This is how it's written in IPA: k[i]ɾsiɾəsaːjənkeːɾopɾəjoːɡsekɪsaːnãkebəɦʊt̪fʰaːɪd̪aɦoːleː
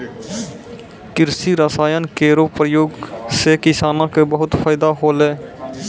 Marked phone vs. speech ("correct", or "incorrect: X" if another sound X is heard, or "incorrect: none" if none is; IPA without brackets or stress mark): incorrect: ɪ